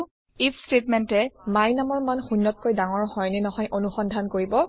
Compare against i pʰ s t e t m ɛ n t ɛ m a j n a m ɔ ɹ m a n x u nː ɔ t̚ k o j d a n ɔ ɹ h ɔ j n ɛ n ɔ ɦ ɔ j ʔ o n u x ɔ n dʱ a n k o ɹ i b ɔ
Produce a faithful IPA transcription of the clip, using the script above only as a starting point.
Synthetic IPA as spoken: i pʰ s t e t m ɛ n t ɛ m a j n a m ɔ ɹ m a n x u nː ɔ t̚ k o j d a ŋ ɔ ɹ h ɔ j n ɛ n ɔ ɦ ɔ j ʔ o n u x ɔ n dʱ a n k o ɹ i b ɔ